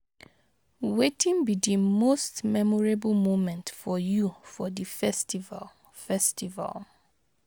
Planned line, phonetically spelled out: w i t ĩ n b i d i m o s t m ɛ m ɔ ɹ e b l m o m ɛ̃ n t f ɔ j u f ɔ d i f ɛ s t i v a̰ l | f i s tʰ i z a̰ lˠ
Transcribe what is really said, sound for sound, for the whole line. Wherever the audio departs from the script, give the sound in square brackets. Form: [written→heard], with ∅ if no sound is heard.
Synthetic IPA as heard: w [i→e] t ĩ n b i d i m o s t m ɛ m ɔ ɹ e b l m o m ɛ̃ n t f ɔ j u f ɔ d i f ɛ s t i v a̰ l | f [i→ɛ] s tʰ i [z→v] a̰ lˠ

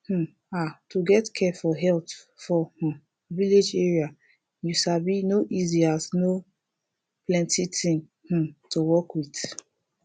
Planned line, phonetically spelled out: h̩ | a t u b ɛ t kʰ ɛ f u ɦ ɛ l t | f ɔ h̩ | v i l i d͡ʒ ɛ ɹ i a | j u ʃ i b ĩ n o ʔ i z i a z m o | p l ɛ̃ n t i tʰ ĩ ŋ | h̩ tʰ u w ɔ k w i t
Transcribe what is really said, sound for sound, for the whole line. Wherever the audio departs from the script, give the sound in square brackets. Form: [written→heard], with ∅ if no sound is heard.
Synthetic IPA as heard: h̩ | a t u [b→ɡ] ɛ t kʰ ɛ f [u→ɔ] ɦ ɛ l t | f ɔ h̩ | v i l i d͡ʒ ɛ ɹ i a | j u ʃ [i→a] b [ĩ→i] n o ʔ i z i a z [m→n] o | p l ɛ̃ n t i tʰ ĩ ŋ | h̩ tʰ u w ɔ k w i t

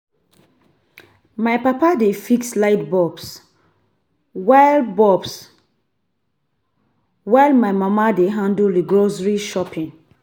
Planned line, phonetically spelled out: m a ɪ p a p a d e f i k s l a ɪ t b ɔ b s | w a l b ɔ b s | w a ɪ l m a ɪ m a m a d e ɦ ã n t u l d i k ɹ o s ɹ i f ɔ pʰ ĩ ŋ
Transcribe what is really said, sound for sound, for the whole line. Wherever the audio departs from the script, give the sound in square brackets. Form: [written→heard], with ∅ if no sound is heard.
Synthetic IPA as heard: m a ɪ p a p a d e f i k s l a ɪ t b ɔ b s | w a l b ɔ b s | w a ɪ l m a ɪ m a m a d e ɦ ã n [t→d] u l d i [k→ɡ] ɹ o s ɹ i [f→ʃ] ɔ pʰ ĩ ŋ

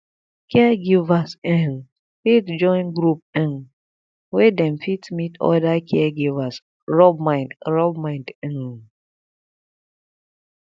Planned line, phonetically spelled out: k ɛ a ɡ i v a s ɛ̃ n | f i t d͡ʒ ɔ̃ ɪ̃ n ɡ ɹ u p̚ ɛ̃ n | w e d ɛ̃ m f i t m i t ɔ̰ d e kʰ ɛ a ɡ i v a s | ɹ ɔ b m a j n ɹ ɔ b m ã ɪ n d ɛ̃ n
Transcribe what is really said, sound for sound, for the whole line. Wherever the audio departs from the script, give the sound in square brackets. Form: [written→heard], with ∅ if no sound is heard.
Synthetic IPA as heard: k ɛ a ɡ i v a s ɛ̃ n | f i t d͡ʒ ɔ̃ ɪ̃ n ɡ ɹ u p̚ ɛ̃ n | w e d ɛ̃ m f i t m i t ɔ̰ d [e→a] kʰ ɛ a ɡ i v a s | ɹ ɔ b m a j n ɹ ɔ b m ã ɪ n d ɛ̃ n

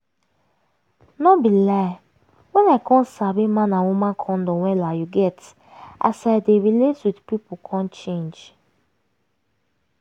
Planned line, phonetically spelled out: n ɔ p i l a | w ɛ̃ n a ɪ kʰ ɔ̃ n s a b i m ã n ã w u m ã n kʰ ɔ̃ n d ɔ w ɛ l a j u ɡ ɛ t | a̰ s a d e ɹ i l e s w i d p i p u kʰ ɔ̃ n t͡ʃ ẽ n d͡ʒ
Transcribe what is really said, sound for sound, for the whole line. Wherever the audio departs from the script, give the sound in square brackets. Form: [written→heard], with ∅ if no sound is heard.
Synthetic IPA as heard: n ɔ [p→b] i l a | w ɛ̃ n a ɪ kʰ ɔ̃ n s a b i m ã n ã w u m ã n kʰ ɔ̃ n d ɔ w ɛ l a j u ɡ ɛ t | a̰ s a d e ɹ i l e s w i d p i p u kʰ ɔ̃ n t͡ʃ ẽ n d͡ʒ

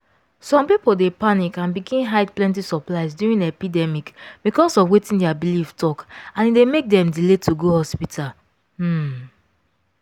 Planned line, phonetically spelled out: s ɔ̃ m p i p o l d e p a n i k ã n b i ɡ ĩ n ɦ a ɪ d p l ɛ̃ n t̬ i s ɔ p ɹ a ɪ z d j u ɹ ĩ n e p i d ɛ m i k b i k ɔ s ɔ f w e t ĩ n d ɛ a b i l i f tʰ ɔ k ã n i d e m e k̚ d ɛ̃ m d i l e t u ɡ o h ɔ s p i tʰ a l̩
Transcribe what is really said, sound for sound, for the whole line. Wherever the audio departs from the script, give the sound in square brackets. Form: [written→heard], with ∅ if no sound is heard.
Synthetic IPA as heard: s ɔ̃ m p i p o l d e p a n i k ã n b i ɡ ĩ n ɦ a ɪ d p l ɛ̃ n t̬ i s ɔ p [ɹ→l] a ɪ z d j u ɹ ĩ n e p i d ɛ m i k b i k ɔ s ɔ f w e t ĩ n d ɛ a b i l i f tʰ ɔ k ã n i d e m e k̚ d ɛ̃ m d i l e t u ɡ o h ɔ s p i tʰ a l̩

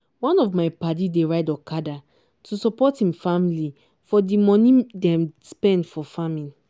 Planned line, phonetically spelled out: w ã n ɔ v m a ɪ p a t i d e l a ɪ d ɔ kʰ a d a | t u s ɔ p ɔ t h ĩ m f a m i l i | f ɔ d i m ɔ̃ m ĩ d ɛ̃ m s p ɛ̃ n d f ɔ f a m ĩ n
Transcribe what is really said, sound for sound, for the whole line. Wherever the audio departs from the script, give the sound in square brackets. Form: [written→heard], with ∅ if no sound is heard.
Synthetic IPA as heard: w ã n ɔ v m a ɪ p a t i d e [l→ɹ] a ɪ d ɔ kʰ a d a | t u s ɔ p ɔ t h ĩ m f a m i l i | f ɔ d i m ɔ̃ [m→n] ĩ d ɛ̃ m s p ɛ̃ n d f ɔ f a m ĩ n

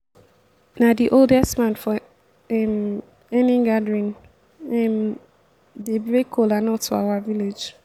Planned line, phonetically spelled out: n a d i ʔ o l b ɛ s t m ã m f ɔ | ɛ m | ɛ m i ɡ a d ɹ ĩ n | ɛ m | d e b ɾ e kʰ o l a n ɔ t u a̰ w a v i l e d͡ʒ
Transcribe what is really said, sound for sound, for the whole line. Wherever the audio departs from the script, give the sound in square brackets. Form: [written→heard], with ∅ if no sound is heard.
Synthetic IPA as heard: n a d i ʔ o l [b→d] ɛ s t m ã [m→n] f ɔ | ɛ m | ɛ [m→n] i ɡ a d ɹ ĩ n | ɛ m | d e b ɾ e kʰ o l a n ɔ t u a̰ w a v i l e d͡ʒ

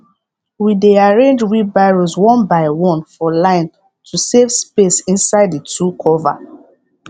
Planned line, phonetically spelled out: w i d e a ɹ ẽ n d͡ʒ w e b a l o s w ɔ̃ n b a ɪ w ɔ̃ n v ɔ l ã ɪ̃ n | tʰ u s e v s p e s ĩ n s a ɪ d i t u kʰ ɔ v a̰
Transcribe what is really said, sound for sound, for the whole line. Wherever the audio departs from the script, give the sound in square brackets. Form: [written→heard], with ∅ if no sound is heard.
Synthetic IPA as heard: w i d e a ɹ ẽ n d͡ʒ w [e→i] b a [l→ɹ] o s w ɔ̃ n b a ɪ w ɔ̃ n [v→f] ɔ l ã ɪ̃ n | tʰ u s e v s p e s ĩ n s a ɪ d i t u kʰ ɔ v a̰

